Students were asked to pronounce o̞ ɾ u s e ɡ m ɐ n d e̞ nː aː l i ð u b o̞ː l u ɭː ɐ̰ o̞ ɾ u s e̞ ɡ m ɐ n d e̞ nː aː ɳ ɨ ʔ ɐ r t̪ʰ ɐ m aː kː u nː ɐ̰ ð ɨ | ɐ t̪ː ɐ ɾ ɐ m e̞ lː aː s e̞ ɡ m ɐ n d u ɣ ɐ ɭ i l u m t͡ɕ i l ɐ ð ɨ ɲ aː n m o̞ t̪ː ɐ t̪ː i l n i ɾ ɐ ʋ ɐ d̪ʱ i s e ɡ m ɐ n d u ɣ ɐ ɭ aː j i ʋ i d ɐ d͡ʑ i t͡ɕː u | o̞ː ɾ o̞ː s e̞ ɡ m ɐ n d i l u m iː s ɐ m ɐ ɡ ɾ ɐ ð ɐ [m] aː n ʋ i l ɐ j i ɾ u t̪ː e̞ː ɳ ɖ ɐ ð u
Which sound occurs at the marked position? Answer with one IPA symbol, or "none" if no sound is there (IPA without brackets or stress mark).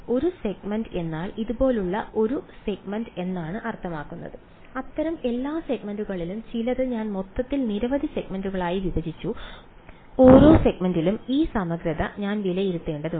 ɲ